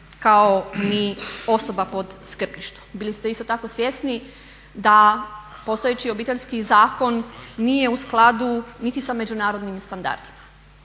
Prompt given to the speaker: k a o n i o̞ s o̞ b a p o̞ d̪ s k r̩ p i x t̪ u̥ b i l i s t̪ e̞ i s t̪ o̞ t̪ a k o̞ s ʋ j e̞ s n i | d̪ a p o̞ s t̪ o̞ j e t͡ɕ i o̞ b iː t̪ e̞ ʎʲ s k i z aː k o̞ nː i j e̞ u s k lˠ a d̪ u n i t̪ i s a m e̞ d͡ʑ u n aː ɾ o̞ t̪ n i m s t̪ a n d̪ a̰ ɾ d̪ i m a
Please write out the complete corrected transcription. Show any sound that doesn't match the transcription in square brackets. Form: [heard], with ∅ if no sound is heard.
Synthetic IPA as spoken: k a o n i o̞ s o̞ b a p o̞ d̪ s k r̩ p i [ʃ] t̪ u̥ b i l i s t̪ e̞ i s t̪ o̞ t̪ a k o̞ s ʋ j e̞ s n i | d̪ a p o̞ s t̪ o̞ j e t͡ɕ i o̞ b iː t̪ e̞ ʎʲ s k i z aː k o̞ nː i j e̞ u s k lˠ a d̪ u n i t̪ i s a m e̞ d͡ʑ u n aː ɾ o̞ [d̪] n i m s t̪ a n d̪ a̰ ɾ d̪ i m a